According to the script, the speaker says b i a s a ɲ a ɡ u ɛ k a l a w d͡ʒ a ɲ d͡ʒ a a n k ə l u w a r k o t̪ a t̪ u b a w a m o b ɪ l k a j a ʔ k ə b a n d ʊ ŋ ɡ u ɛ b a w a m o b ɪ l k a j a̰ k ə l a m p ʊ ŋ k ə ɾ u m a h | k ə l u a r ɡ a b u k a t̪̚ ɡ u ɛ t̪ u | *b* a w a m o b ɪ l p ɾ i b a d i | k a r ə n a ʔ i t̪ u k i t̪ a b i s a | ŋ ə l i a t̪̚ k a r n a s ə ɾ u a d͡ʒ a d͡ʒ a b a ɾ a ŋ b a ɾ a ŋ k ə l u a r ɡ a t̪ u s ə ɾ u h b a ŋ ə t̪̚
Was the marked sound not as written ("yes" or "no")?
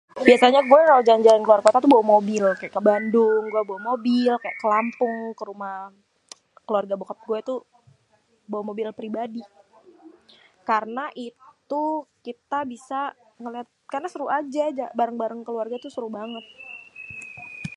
no